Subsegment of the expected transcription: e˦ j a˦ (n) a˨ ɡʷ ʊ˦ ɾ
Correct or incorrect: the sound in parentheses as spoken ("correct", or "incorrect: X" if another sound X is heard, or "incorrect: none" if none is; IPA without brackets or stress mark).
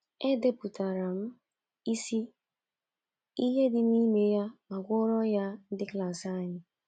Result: incorrect: m